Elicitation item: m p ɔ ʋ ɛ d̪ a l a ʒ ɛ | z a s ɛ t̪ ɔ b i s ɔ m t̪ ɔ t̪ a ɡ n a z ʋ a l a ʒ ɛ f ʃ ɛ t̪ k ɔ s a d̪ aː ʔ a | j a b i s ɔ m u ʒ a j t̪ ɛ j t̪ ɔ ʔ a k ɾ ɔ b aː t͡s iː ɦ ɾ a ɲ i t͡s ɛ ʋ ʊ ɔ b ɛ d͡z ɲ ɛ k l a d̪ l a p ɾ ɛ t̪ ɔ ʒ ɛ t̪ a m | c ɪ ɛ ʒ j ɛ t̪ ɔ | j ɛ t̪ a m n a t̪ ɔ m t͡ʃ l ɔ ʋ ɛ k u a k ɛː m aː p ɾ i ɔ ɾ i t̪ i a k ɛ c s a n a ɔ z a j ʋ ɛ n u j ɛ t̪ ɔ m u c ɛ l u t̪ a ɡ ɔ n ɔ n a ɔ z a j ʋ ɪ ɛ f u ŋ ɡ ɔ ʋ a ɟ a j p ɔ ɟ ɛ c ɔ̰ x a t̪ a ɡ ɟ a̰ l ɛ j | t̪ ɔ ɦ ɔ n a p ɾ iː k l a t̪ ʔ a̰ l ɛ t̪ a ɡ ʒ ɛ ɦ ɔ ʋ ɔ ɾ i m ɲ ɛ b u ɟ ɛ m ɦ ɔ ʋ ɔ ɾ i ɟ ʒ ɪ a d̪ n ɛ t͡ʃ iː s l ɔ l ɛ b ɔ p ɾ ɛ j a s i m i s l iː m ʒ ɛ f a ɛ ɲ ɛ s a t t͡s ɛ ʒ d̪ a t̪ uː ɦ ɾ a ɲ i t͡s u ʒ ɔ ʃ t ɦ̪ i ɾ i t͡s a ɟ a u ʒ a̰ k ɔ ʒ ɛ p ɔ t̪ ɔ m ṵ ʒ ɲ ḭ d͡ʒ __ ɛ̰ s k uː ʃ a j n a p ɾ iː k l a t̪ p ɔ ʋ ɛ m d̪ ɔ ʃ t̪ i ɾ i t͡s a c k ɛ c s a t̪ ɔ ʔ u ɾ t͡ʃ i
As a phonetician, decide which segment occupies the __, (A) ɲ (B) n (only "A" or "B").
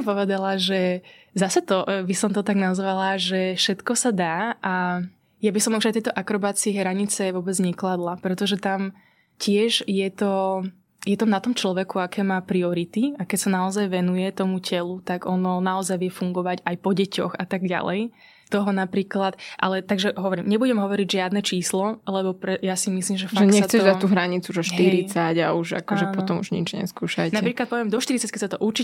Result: A